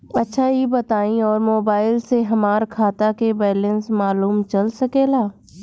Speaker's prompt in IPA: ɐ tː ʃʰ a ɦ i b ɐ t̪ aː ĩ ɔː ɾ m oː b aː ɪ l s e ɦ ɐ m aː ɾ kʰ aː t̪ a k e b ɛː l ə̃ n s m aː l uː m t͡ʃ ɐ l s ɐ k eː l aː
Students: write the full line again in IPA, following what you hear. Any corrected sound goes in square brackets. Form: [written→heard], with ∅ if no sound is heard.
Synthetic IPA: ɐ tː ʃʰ a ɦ i b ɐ t̪ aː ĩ ɔː ɾ m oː b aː ɪ l s e ɦ ɐ m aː ɾ kʰ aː t̪ a k e b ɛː l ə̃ n s m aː l uː m t͡ʃ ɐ l s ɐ k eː l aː

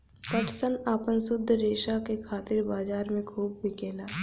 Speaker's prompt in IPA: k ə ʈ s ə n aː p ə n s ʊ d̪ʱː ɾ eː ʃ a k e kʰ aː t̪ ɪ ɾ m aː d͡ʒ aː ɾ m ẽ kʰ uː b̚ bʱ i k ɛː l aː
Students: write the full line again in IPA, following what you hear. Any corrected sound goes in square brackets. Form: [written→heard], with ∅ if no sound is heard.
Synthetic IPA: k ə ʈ s ə n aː p ə n s ʊ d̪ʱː ɾ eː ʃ a k e kʰ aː t̪ ɪ ɾ [m→b] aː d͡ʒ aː ɾ m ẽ kʰ uː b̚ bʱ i k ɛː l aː

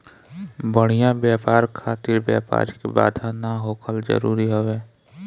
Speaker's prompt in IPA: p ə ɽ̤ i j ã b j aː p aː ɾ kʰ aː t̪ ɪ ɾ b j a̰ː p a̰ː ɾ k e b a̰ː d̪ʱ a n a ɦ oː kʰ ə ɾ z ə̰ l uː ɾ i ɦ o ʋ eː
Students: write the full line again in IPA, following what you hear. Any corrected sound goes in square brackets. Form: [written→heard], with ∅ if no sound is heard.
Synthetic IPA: [p→b] ə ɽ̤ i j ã b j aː p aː ɾ kʰ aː t̪ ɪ ɾ b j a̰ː p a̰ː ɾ k e b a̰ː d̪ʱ a n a ɦ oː kʰ ə [ɾ→l] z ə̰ [l→ɾ] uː ɾ i ɦ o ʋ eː

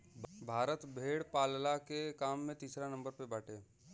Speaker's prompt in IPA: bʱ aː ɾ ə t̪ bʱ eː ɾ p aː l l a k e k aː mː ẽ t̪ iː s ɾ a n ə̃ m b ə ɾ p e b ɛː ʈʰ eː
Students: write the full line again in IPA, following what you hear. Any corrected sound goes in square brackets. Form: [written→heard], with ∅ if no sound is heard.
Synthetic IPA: bʱ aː ɾ ə t̪ bʱ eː [ɾ→ɽ] p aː l l a k e k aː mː ẽ t̪ iː s ɾ a n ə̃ m b ə ɾ p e b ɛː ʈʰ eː

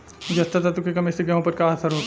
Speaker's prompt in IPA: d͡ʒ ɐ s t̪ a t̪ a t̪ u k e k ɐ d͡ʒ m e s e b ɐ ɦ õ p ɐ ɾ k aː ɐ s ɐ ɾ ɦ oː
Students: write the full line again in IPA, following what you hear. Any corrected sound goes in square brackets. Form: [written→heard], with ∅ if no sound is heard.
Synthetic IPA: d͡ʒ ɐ s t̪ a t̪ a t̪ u k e k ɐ [d͡ʒ→∅] m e s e [b→ɡ] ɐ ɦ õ p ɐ ɾ k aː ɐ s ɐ ɾ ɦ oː

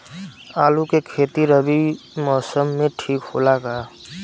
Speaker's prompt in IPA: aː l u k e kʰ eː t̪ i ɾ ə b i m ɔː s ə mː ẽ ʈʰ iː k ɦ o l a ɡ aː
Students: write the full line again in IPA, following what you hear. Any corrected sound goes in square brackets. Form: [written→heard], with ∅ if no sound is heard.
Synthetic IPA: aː l u k e kʰ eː t̪ i ɾ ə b i m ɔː s ə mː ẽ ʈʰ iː k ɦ o l a ɡ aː

